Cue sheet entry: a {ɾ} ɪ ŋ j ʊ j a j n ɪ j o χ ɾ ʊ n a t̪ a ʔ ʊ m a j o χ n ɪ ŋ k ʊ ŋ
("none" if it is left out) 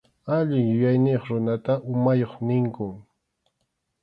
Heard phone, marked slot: ʎ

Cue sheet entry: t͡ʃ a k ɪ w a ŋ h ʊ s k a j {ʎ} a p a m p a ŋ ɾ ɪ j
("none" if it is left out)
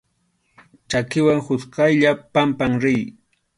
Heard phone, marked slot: ʎ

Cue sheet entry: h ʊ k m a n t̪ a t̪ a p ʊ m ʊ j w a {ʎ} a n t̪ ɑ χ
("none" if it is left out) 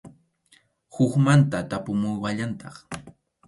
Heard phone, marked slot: ʎ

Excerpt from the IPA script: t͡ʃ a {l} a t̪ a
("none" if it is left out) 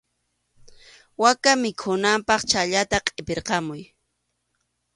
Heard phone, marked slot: ʎ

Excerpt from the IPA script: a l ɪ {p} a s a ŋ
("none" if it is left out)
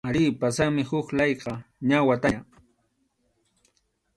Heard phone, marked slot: p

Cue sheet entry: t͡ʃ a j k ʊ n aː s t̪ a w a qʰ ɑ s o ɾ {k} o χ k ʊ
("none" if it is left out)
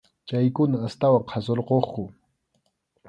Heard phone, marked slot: q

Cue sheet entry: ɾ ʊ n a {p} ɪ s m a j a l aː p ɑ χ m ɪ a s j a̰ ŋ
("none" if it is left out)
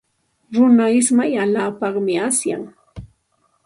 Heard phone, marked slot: none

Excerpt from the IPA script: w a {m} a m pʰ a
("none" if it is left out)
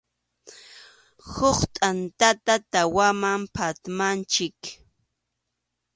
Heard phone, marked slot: m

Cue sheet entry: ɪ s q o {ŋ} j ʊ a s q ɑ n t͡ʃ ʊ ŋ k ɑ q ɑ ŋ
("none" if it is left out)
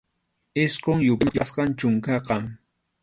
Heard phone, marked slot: ŋ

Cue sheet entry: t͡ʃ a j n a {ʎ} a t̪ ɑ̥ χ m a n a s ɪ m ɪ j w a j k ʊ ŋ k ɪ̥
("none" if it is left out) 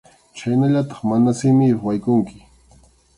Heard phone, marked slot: ʎ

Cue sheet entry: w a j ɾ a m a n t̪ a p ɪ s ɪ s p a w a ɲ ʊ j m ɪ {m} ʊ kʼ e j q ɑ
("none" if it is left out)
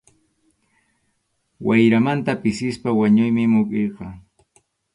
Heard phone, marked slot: m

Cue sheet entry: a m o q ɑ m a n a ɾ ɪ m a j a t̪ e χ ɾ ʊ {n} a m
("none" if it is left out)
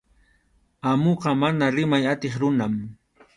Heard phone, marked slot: n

